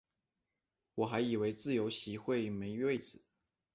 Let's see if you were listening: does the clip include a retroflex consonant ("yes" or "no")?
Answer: no